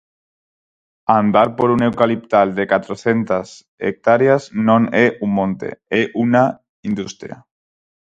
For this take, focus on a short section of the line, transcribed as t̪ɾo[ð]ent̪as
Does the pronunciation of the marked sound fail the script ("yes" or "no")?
yes